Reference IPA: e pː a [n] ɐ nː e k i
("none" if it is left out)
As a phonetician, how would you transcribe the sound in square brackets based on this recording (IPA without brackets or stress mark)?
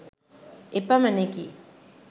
m